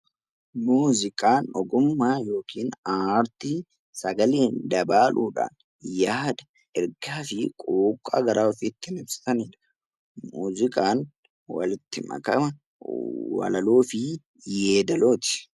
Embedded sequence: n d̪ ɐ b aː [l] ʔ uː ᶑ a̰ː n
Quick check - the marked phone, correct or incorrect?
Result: correct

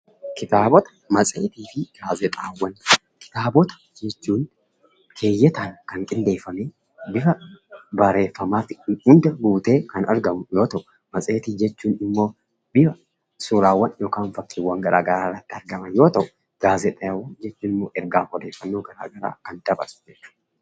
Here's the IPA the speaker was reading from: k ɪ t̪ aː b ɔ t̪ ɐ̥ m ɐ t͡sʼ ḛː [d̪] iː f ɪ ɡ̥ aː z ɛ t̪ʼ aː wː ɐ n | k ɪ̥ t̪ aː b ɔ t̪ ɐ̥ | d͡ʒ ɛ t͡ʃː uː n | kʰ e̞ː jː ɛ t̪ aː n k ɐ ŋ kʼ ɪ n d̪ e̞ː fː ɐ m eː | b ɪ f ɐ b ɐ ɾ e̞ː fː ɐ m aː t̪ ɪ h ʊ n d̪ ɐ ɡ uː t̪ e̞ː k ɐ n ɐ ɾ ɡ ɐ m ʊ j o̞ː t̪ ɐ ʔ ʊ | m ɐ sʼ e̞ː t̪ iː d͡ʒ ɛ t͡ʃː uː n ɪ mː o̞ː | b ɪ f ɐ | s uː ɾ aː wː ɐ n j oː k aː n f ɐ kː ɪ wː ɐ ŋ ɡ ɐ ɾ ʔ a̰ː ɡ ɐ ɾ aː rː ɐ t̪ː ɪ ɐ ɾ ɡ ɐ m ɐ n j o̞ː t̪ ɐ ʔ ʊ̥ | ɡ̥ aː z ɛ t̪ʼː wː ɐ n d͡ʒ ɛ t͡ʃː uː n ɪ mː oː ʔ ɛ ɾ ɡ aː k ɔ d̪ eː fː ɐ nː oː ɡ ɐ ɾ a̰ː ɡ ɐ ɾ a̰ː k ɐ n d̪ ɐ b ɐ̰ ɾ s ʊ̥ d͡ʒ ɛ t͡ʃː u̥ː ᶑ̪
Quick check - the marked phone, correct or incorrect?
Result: incorrect: t̪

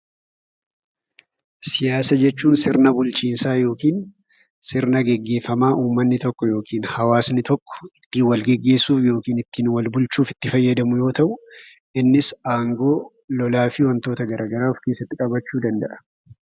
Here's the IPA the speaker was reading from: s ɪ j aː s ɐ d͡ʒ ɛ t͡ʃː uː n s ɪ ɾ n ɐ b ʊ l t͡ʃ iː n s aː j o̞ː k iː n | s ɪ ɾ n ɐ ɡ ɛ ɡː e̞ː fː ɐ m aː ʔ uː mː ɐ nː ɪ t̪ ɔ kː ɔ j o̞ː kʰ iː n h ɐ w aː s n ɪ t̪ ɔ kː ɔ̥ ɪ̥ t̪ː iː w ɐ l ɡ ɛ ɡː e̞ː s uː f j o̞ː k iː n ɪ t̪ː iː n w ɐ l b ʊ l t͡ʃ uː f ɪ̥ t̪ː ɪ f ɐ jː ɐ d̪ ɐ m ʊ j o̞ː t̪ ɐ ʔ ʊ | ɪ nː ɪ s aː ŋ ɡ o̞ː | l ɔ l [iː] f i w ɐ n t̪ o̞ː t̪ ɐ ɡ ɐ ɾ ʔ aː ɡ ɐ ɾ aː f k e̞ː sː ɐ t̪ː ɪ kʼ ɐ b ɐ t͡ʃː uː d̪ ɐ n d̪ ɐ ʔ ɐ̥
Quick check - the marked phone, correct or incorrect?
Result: incorrect: aː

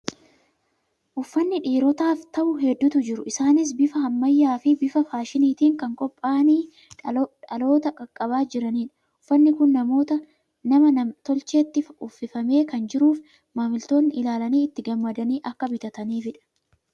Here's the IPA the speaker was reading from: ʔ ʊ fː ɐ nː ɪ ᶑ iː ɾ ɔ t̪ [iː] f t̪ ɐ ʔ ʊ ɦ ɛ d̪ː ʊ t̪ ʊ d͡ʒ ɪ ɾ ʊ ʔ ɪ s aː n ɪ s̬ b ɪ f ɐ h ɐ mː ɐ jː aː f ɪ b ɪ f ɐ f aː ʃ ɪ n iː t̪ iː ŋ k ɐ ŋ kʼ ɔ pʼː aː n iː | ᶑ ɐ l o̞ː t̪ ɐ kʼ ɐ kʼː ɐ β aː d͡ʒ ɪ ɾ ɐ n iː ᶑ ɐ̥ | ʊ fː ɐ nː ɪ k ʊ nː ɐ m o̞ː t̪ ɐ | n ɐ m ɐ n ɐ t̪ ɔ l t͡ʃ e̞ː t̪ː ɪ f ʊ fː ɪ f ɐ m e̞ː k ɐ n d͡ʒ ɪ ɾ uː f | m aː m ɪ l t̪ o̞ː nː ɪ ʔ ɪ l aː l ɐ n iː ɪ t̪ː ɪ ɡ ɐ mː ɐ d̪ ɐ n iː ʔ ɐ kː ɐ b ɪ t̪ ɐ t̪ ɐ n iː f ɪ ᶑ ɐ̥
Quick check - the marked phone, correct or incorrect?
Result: incorrect: aː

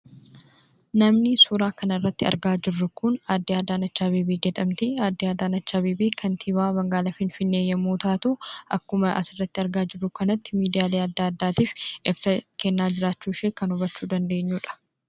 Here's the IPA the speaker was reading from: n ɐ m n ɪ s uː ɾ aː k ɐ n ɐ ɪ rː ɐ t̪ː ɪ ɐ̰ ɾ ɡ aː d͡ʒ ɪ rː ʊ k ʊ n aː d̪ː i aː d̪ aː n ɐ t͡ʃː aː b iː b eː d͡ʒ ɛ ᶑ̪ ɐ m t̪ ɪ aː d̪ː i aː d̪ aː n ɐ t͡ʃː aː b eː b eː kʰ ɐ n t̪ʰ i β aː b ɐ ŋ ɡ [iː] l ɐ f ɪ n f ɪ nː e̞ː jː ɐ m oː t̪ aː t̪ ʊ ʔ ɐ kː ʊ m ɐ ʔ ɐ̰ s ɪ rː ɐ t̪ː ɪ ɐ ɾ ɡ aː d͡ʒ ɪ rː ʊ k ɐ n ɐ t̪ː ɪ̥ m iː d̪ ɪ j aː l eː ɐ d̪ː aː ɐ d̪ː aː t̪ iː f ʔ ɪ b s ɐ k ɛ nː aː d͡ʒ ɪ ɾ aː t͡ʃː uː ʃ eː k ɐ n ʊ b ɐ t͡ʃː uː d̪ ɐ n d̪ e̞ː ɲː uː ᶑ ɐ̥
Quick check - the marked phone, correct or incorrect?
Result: incorrect: aː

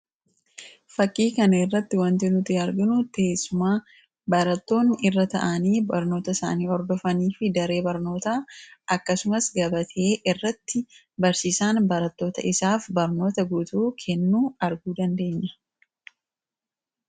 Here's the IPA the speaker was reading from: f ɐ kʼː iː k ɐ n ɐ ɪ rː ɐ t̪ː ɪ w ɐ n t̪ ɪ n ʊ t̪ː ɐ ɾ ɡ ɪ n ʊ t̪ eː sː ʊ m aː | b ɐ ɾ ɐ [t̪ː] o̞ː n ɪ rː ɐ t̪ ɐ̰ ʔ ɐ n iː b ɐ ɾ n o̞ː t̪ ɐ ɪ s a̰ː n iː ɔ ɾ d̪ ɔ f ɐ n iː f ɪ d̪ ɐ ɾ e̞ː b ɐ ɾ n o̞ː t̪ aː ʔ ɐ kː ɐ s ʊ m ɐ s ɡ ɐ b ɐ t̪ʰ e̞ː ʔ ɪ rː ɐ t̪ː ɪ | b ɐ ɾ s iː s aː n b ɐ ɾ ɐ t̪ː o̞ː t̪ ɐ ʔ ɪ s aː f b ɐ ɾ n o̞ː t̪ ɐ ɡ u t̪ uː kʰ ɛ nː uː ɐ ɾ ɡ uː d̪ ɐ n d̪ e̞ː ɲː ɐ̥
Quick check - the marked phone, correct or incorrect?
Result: correct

